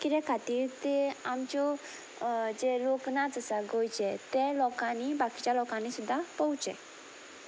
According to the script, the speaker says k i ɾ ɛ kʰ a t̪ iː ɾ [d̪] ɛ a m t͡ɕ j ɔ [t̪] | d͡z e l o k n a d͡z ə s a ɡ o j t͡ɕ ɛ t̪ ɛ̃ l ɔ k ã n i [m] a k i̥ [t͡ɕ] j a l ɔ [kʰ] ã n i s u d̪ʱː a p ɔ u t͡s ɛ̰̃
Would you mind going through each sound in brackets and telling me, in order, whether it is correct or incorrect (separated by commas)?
incorrect, incorrect, incorrect, correct, incorrect